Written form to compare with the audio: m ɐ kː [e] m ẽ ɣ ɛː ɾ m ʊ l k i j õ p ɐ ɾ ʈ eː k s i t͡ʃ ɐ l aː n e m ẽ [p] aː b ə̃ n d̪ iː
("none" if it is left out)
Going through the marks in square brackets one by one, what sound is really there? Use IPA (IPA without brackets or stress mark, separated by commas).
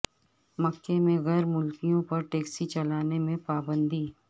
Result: e, p